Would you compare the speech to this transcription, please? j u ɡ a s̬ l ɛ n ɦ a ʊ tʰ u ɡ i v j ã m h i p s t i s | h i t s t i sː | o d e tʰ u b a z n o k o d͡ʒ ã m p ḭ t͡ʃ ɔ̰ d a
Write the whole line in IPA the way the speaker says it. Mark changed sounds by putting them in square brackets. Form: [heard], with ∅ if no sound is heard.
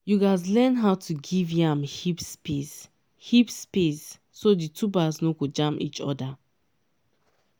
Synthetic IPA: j u ɡ a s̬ l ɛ n ɦ a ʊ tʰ u ɡ i v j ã m h i p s [p] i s | h i [p] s [p] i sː | o d [i] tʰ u b a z n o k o d͡ʒ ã m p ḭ t͡ʃ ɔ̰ d a